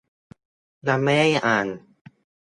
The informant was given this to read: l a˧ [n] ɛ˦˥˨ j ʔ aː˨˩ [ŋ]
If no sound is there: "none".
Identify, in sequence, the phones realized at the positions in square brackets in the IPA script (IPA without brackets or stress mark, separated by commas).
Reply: m, n